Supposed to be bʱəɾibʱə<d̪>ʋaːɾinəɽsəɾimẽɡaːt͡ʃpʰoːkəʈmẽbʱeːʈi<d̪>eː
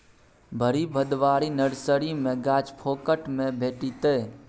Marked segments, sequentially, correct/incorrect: correct, incorrect

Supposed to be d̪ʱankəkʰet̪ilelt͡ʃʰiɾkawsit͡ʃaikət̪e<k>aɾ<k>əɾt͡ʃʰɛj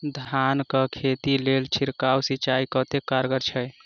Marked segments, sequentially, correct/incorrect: correct, incorrect

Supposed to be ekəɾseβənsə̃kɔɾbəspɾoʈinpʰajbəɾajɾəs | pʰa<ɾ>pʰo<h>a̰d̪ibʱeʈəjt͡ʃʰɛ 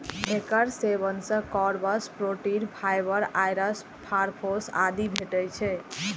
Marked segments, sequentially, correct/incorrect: correct, incorrect

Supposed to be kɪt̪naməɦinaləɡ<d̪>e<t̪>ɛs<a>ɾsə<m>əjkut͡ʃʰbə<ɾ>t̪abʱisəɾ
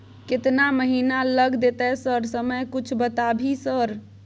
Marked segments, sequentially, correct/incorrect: correct, correct, incorrect, correct, incorrect

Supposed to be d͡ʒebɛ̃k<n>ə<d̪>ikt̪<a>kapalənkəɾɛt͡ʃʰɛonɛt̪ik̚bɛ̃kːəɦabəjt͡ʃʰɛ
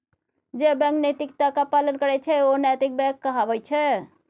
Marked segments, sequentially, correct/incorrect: correct, incorrect, correct

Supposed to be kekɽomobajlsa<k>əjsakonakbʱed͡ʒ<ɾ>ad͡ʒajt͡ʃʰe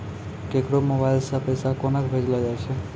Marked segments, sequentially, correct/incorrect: incorrect, incorrect

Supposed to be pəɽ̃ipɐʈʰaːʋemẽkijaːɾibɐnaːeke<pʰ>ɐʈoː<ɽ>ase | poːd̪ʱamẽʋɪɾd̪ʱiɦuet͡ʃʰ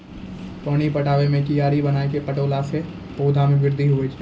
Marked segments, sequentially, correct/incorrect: incorrect, incorrect

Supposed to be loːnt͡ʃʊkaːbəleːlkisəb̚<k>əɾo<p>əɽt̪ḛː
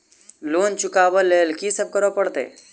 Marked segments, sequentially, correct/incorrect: correct, correct

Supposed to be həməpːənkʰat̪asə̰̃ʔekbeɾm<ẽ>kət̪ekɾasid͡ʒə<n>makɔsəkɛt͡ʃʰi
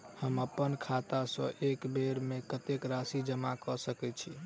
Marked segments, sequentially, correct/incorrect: incorrect, incorrect

